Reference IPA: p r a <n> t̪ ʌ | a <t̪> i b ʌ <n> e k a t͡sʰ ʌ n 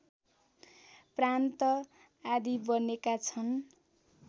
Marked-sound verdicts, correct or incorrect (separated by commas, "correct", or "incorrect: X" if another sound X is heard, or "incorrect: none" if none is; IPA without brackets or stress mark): correct, incorrect: d̪, correct